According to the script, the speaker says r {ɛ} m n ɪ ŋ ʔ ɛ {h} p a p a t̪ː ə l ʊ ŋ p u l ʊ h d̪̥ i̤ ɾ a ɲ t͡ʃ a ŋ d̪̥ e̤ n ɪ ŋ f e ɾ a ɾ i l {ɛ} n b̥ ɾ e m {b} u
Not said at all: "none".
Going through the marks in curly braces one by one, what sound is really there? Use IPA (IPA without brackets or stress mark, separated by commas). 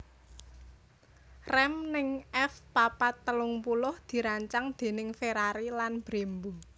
ɛ, f, a, b